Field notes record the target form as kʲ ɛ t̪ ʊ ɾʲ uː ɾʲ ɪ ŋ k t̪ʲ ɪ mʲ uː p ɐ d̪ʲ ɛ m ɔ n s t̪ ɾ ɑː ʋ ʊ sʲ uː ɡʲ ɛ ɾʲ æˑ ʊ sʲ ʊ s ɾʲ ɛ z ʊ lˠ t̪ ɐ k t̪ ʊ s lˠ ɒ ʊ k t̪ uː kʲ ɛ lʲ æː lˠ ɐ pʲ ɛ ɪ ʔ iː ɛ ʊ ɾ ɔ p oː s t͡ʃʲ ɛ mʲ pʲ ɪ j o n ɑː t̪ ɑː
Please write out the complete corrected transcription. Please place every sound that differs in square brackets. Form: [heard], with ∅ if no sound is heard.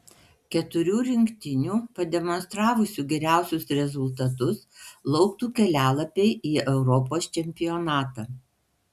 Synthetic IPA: kʲ ɛ t̪ ʊ ɾʲ uː ɾʲ ɪ ŋ k t̪ʲ ɪ [nʲ] uː p ɐ d̪ʲ ɛ m ɔ n s t̪ ɾ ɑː ʋ ʊ sʲ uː ɡʲ ɛ ɾʲ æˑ ʊ sʲ ʊ s ɾʲ ɛ z ʊ lˠ t̪ ɐ [∅] t̪ ʊ s lˠ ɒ ʊ k t̪ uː kʲ ɛ lʲ æː lˠ ɐ pʲ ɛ ɪ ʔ iː ɛ ʊ ɾ ɔ p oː s t͡ʃʲ ɛ mʲ pʲ ɪ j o n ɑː t̪ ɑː